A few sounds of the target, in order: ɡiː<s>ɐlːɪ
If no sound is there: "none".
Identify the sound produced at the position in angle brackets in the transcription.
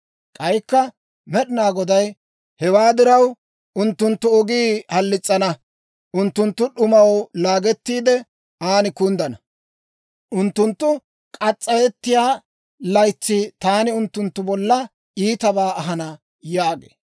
h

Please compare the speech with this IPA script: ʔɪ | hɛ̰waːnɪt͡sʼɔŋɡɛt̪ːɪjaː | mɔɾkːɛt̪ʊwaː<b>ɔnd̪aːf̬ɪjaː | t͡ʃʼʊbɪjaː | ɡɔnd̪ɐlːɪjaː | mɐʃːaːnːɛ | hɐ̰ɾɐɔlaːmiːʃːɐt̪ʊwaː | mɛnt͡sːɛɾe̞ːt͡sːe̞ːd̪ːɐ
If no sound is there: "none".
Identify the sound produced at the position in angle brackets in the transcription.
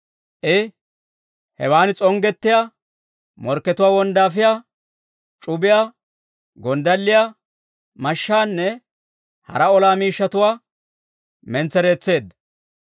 w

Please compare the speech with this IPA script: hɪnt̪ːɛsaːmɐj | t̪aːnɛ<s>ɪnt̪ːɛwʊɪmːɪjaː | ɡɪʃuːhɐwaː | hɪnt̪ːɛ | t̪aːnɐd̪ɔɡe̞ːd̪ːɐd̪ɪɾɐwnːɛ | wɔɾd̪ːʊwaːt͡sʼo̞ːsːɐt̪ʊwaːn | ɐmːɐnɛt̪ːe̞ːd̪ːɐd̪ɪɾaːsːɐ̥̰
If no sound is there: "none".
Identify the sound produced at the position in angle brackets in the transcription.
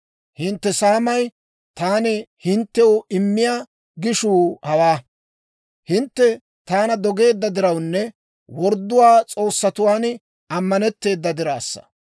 h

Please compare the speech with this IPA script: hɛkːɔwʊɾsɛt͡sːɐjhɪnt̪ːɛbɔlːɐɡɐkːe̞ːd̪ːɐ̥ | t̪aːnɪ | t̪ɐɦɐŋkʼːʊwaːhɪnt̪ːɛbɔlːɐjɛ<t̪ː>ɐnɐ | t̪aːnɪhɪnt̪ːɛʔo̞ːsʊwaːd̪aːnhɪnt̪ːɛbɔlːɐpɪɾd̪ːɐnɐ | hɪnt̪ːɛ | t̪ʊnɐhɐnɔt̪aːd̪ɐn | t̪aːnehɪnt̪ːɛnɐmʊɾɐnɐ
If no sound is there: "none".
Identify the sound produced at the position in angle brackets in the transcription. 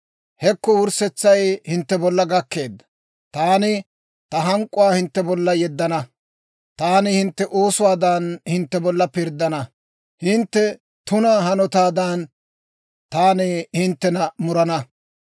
d̪ː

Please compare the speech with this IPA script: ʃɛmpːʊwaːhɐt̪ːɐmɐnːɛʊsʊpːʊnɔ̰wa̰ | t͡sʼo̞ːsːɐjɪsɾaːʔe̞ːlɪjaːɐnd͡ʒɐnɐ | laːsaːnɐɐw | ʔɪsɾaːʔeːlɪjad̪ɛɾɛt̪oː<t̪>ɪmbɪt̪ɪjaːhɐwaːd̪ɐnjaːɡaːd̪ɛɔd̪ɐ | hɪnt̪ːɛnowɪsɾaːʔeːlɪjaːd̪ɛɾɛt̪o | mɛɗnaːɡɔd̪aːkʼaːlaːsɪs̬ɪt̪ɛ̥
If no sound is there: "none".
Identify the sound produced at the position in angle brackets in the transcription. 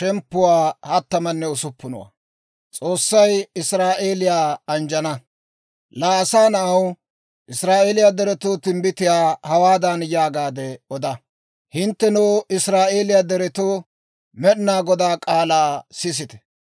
t̪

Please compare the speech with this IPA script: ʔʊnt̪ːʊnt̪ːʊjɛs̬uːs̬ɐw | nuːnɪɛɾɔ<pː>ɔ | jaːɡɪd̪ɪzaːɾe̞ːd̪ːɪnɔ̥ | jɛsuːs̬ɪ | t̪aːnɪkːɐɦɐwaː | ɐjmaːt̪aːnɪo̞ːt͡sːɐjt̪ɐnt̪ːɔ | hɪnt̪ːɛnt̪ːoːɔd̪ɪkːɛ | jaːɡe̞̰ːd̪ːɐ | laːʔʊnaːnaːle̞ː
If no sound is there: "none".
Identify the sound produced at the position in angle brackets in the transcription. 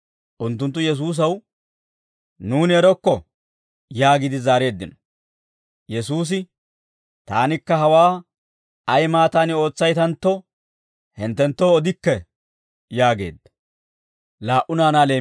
kː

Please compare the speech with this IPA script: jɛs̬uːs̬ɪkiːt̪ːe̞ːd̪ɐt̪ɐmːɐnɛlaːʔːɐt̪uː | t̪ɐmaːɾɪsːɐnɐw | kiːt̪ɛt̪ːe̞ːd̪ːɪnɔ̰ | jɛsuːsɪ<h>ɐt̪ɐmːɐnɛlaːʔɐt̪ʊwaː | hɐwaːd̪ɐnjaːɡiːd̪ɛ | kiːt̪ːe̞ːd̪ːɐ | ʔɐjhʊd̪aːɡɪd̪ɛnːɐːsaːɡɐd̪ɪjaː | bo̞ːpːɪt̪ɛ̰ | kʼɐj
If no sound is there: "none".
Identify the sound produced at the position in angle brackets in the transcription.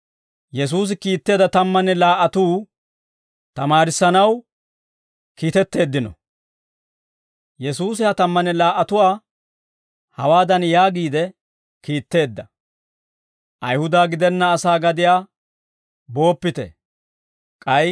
h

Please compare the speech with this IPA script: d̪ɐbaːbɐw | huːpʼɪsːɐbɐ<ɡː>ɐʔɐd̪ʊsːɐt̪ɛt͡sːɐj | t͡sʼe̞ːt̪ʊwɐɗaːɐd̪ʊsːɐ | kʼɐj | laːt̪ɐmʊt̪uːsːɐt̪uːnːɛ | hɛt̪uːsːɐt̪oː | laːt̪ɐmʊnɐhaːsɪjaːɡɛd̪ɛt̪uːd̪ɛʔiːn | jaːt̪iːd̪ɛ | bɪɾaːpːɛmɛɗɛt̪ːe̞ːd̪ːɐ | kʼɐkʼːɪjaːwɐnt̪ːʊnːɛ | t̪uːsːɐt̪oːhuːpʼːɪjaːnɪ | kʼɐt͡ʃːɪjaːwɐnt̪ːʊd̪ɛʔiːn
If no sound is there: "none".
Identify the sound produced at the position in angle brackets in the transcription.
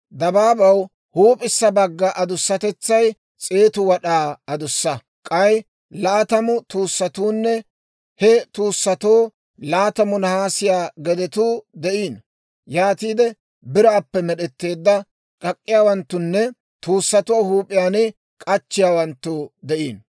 ɡː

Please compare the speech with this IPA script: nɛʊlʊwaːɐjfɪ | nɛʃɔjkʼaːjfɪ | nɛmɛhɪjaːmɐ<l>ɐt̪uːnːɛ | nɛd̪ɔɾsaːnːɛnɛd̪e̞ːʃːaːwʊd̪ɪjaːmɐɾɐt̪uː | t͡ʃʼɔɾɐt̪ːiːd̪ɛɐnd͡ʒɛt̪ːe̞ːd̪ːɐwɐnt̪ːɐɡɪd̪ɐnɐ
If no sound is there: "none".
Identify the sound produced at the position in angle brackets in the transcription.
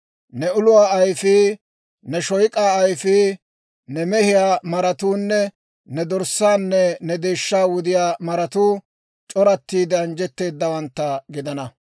ɾ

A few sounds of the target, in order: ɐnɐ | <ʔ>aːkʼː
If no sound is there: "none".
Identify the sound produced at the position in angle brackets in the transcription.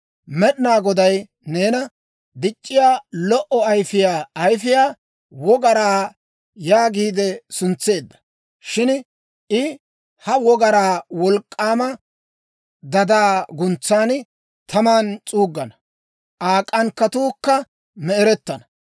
ʔ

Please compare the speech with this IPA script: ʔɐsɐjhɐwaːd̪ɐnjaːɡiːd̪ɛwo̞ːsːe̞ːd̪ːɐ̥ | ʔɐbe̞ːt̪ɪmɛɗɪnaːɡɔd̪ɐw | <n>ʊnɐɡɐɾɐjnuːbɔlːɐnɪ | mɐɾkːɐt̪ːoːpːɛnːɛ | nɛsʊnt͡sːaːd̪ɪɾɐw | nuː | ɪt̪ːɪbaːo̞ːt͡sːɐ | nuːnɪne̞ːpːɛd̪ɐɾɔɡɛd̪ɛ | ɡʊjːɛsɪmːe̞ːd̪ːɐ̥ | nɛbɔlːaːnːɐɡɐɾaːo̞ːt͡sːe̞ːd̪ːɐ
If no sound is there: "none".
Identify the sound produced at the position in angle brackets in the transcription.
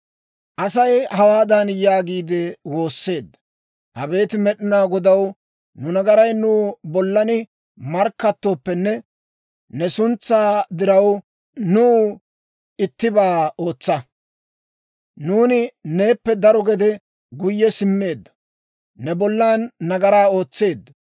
n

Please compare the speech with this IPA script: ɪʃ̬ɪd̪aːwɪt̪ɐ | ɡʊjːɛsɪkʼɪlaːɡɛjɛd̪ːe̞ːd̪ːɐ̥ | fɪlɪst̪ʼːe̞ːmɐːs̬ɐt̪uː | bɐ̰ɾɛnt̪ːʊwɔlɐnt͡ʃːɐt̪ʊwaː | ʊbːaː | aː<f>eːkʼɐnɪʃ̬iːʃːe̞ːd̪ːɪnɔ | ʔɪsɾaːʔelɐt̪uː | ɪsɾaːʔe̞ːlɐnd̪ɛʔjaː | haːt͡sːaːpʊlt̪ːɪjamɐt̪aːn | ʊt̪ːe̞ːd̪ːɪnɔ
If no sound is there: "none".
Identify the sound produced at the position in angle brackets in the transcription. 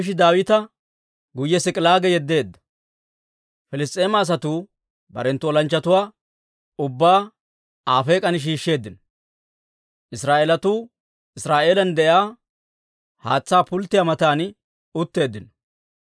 f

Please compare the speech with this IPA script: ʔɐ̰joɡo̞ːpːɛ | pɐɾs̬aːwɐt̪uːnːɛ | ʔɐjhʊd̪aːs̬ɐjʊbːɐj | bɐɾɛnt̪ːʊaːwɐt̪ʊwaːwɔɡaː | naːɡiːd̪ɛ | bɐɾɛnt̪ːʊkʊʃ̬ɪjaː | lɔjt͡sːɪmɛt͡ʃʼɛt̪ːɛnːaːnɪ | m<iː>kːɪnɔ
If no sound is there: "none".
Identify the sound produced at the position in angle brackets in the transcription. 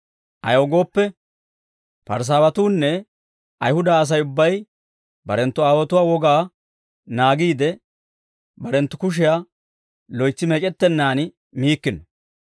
iː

